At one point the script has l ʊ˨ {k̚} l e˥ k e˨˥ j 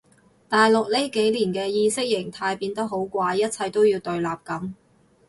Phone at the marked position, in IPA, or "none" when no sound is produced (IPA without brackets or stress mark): k̚